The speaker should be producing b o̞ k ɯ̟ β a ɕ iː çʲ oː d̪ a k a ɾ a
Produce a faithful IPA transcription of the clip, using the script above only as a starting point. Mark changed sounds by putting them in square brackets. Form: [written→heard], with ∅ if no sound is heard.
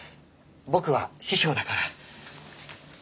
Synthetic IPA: b o̞ k ɯ̟ β a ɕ [iː→i] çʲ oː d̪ a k a ɾ a

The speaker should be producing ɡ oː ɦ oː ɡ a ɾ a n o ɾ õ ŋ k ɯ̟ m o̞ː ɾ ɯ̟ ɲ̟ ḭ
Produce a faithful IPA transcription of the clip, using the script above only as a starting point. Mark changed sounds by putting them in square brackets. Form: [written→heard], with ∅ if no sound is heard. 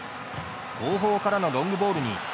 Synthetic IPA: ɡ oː ɦ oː [ɡ→k] a ɾ a n o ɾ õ ŋ [k→ɡ] ɯ̟ [m→b] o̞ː ɾ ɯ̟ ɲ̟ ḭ

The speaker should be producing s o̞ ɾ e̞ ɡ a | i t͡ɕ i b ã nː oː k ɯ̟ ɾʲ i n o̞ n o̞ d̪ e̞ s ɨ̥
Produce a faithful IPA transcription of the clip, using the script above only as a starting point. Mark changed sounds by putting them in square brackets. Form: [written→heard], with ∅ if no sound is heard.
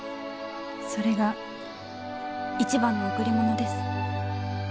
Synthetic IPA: s o̞ ɾ e̞ ɡ a | i t͡ɕ i b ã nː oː k ɯ̟ ɾʲ i [n→m] o̞ n o̞ d̪ e̞ s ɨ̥

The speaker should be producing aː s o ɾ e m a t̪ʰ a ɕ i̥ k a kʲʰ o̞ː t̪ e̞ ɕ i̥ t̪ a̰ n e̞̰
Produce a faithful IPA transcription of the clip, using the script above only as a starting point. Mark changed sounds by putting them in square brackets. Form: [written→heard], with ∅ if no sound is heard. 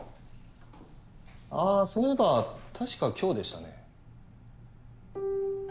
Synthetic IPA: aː s o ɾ e [m→b] a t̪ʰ a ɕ i̥ k a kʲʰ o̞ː [t̪→d̪] e̞ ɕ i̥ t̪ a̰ n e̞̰

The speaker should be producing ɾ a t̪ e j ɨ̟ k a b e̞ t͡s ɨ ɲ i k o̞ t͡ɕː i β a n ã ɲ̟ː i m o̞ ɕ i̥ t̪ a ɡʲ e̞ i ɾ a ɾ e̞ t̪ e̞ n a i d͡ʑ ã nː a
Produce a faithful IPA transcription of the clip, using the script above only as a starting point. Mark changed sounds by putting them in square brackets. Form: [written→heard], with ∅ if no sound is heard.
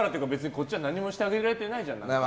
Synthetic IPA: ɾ a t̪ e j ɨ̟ k a b e̞ t͡s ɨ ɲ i k o̞ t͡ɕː i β a n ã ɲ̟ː i m o̞ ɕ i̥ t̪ a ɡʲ e̞ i ɾ a ɾ e̞ t̪ e̞ n a i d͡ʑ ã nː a

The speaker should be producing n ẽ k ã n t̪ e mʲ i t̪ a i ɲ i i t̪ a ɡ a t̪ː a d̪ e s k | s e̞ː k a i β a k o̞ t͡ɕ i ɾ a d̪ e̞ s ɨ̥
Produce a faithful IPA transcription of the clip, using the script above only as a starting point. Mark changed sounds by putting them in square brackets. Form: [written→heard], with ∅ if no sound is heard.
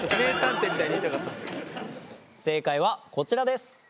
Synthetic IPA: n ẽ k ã n t̪ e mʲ i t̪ a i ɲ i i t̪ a [ɡ→k] a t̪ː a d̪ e s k | s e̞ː k a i β a k o̞ t͡ɕ i ɾ a d̪ e̞ s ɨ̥

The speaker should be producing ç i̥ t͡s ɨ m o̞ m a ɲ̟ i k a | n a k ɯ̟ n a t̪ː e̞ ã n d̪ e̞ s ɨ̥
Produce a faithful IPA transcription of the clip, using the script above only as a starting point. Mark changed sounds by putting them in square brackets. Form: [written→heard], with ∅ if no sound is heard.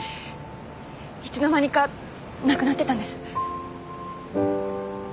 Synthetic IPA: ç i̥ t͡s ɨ [m→n] o̞ m a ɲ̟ i k a | n a k ɯ̟ n a t̪ː e̞ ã n d̪ e̞ s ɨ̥

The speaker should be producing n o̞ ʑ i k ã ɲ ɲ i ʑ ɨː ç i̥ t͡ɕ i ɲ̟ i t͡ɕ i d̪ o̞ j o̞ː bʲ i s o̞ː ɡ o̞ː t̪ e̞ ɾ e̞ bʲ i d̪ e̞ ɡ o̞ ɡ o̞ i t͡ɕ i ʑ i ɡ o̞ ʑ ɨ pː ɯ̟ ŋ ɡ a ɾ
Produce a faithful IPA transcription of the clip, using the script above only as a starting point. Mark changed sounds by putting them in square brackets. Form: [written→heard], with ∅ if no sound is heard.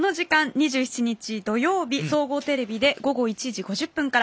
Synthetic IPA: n o̞ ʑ i k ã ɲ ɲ i ʑ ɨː ç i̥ t͡ɕ i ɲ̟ i t͡ɕ i d̪ o̞ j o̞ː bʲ i s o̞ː ɡ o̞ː t̪ e̞ ɾ e̞ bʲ i d̪ e̞ ɡ o̞ ɡ o̞ i t͡ɕ i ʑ i ɡ o̞ ʑ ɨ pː [ɯ̟→ɯ̟̃] ŋ [ɡ→k] a ɾ

